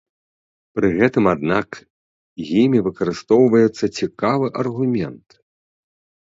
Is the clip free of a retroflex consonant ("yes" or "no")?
yes